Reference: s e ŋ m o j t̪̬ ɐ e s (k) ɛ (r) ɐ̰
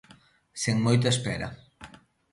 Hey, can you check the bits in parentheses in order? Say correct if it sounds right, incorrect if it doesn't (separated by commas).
incorrect, incorrect